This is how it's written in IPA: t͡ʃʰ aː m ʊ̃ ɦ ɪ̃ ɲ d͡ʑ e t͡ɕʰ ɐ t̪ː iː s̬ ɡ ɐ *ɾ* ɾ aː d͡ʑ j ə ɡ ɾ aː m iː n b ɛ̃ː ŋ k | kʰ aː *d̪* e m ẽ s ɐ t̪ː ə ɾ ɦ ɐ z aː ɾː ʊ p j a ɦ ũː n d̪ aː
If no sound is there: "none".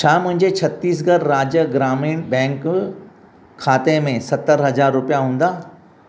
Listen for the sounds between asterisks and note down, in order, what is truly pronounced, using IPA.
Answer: ɾ, t̪

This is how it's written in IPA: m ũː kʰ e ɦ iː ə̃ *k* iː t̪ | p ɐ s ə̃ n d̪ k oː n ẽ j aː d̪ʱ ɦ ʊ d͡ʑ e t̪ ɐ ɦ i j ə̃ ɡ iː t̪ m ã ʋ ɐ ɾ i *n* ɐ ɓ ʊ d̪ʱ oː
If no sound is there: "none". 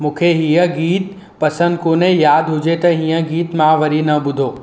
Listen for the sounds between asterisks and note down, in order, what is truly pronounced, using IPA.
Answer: ɡ, n

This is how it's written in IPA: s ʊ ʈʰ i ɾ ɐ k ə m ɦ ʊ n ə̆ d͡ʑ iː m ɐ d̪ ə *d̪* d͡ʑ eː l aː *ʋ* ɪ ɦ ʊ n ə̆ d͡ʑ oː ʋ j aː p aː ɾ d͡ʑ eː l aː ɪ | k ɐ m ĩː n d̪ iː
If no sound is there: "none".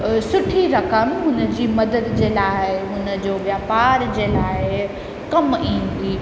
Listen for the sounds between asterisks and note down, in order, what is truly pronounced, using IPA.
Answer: d̪, none

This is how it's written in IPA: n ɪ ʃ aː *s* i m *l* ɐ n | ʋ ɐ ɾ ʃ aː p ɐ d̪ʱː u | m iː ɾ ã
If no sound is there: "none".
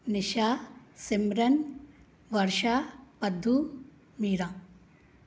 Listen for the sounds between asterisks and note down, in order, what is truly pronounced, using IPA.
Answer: s, ɾ

